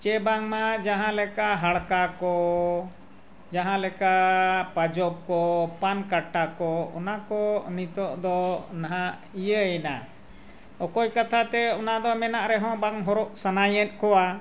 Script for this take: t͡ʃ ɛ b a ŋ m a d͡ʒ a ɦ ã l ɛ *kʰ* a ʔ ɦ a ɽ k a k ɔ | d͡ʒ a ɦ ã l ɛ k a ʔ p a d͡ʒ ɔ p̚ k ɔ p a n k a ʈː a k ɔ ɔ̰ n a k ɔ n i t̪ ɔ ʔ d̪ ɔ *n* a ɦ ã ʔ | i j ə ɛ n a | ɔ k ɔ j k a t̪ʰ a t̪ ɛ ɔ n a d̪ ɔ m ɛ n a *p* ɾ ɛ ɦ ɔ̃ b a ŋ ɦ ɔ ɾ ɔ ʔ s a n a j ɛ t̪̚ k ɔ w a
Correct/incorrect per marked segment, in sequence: incorrect: k, correct, incorrect: ʔ

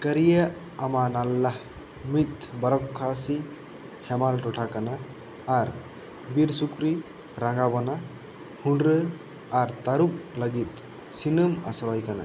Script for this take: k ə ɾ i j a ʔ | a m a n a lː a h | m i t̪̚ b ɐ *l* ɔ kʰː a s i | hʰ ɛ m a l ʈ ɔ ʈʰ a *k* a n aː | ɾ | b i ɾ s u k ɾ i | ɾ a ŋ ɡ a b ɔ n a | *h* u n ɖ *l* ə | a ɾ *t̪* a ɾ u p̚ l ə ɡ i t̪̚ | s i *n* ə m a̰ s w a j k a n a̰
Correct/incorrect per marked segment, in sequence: incorrect: ɾ, correct, correct, incorrect: ɾ, correct, correct

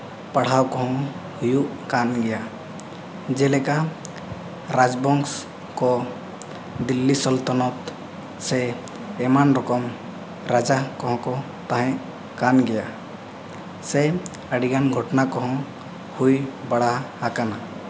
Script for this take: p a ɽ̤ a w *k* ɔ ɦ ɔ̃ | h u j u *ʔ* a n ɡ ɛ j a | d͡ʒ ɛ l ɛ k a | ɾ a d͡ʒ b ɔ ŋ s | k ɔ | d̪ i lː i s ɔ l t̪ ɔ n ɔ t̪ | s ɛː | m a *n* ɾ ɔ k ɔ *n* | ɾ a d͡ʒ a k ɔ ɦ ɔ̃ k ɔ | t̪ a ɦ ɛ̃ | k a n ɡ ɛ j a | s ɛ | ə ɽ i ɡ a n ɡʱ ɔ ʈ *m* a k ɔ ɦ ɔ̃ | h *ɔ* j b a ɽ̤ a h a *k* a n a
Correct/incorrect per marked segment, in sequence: correct, incorrect: k, correct, incorrect: m, incorrect: n, incorrect: u, correct

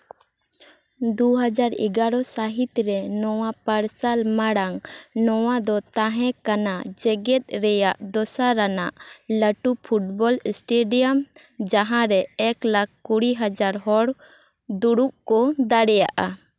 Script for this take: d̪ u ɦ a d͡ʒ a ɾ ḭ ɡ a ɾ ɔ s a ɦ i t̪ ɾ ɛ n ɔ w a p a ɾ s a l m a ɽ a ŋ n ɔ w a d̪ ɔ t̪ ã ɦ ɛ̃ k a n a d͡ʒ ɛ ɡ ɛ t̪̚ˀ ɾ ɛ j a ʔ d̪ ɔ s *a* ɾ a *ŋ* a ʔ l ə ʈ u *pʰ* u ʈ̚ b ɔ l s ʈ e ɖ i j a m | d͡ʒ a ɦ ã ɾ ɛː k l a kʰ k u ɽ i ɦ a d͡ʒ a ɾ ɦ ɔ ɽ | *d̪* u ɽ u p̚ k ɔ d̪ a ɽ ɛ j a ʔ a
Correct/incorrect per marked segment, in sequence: correct, incorrect: n, correct, correct

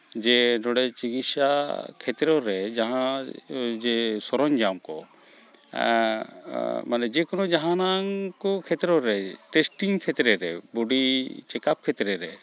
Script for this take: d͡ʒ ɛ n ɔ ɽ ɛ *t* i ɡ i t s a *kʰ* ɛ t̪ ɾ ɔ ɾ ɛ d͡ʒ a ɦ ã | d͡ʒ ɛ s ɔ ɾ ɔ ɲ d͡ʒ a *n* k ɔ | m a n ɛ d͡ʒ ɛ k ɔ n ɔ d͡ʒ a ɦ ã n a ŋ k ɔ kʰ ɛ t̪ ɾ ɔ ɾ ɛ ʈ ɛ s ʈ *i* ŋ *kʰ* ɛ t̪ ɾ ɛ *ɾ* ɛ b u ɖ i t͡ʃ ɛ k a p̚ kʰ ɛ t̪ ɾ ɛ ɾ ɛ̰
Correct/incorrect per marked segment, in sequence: incorrect: t͡ʃ, correct, incorrect: m, correct, correct, correct

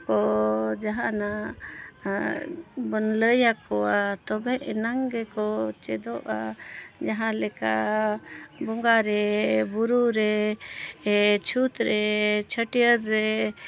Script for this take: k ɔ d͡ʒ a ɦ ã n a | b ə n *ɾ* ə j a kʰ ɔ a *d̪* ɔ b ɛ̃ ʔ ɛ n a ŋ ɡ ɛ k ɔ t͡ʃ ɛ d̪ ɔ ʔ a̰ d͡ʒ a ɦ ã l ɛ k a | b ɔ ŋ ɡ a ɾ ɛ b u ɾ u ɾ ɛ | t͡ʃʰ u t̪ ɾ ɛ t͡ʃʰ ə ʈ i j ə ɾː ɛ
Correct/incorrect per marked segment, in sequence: incorrect: l, incorrect: t̪

